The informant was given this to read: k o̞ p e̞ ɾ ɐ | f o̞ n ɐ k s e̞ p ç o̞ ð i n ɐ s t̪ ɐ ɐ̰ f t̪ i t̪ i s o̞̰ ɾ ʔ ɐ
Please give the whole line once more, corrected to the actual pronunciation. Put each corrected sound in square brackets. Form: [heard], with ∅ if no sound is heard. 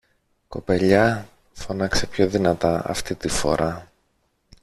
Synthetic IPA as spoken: k o̞ p e̞ [ʎ] ɐ | f o̞ n ɐ k s e̞ p ç o̞ ð i n ɐ [∅] t̪ ɐ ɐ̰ f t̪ i t̪ i [f] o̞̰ ɾ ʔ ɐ